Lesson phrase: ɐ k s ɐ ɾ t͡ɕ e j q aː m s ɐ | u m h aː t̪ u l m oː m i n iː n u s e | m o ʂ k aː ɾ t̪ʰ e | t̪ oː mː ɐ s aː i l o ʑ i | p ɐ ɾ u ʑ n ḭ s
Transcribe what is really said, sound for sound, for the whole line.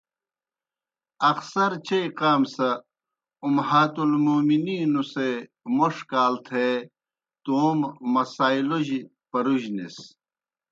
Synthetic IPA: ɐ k s ɐ ɾ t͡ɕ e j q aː m s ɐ | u m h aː t̪ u l m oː m i n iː n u s e | m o ʂ k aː l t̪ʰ e | t̪ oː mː ɐ s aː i l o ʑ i | p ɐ ɾ u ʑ n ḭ s